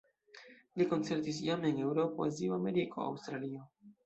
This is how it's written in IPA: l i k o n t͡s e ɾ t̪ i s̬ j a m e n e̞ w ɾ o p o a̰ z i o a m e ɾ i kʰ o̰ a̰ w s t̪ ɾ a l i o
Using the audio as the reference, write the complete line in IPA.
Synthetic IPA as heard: l i k o n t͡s e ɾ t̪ i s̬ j a m e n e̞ w ɾ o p o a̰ z i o a m e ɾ i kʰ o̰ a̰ w s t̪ ɾ a l i o